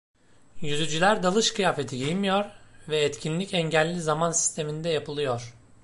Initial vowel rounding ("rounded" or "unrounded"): rounded